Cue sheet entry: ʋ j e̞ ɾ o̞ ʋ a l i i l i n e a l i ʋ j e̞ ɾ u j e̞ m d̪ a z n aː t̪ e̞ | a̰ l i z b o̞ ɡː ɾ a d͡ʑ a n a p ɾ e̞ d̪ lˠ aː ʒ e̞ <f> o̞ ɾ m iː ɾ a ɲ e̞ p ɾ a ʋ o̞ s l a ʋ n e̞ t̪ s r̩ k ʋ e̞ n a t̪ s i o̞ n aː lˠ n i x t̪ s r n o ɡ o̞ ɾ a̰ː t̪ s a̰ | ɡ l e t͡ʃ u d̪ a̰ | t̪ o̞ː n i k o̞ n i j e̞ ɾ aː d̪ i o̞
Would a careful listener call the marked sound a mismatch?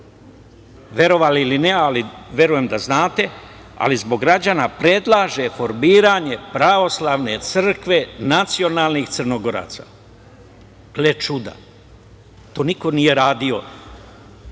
no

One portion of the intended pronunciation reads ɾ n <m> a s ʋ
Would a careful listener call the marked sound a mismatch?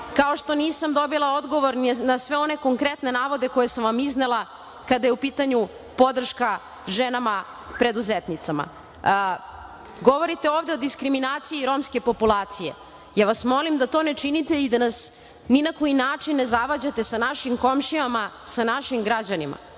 yes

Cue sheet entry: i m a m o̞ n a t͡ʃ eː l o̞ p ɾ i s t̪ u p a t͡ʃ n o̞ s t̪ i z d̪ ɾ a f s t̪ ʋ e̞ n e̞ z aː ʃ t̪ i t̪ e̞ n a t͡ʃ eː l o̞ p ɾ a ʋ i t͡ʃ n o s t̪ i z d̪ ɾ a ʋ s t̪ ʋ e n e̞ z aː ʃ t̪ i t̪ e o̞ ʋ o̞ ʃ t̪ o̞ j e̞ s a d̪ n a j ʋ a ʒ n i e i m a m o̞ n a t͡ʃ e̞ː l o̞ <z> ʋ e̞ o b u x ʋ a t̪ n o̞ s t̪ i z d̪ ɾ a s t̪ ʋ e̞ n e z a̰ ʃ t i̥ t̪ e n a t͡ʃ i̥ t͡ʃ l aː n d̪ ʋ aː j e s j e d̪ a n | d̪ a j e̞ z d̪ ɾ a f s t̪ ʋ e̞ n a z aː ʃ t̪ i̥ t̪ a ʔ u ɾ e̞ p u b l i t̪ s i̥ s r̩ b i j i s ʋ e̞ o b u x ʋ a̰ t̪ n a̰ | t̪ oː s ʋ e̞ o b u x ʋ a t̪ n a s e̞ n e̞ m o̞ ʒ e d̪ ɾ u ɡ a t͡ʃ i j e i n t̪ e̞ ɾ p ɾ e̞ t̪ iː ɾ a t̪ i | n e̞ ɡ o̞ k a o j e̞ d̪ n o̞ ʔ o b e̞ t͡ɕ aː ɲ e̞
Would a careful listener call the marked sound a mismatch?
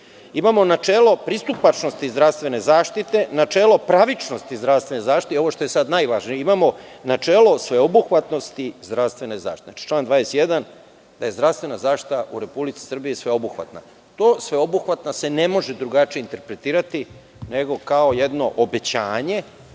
yes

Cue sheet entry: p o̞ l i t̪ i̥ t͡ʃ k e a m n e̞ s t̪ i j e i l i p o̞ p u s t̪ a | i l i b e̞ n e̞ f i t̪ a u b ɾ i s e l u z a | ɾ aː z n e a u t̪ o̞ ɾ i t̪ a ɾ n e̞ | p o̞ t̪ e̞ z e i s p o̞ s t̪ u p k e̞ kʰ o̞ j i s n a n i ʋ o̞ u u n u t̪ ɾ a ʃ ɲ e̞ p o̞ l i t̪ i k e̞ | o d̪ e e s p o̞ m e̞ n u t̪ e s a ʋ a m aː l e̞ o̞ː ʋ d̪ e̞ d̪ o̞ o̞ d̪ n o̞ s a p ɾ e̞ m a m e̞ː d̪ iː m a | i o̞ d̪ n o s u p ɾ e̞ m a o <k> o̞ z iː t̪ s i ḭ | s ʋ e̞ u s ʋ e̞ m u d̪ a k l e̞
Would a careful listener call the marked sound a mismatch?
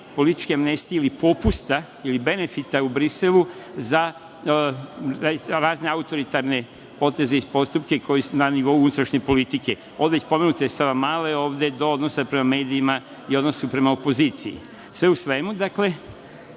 yes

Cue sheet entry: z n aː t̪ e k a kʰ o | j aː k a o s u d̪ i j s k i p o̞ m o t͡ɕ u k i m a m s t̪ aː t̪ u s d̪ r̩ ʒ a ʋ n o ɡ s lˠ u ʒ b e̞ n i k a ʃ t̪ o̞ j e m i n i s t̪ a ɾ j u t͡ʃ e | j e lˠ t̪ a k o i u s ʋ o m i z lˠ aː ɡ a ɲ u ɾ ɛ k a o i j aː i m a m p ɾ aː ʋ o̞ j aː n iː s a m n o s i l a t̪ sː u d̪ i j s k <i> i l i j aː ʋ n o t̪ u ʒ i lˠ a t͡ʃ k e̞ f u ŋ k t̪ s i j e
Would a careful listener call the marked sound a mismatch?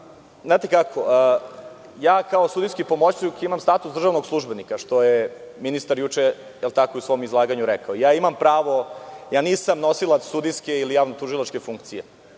yes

